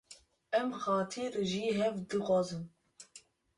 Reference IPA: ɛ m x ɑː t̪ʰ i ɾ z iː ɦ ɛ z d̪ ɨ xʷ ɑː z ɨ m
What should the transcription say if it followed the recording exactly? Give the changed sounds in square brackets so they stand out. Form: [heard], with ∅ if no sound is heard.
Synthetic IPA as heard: ɛ m x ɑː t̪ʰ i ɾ [ʒ] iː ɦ ɛ [v] d̪ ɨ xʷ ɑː z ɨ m